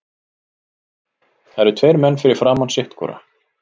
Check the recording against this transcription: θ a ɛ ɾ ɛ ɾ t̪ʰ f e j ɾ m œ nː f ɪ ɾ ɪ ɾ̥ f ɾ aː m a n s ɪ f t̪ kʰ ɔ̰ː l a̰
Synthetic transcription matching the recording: θ a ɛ ɾ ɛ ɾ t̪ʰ v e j ɾ m ɛ nː f ɪ ɾ ɪ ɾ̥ f ɾ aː m a n s ɪ h t̪ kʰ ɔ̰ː ɾ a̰